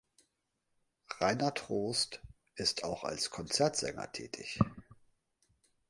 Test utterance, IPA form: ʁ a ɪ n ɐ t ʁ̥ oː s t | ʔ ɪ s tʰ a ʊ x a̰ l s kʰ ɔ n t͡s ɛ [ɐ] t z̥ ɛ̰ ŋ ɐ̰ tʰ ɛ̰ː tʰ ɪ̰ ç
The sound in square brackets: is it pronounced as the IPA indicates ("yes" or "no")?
yes